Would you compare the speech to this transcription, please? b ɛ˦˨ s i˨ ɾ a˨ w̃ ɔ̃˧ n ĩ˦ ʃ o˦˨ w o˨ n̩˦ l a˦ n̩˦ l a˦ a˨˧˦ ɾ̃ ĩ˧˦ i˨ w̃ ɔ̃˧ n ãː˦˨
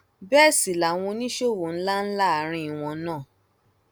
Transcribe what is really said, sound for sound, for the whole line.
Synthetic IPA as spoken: b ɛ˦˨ s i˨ l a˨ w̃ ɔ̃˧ n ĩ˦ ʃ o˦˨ w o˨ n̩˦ l a˦ n̩˦ l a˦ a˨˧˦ ɾ̃ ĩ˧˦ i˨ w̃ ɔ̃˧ n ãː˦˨